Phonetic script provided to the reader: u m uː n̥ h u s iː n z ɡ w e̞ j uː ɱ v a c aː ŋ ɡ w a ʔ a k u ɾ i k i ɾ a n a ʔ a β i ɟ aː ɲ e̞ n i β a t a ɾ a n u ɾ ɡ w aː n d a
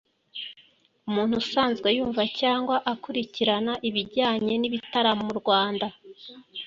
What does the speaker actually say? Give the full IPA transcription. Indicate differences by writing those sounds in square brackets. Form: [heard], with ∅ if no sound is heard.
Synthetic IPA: u m uː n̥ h u s [aː] n z ɡ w e̞ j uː ɱ v a c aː ŋ ɡ w a ʔ a k u ɾ i [c] i ɾ a n a ʔ [i] β i ɟ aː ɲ e̞ n i β [i] t a ɾ a [m] u ɾ ɡ w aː n d a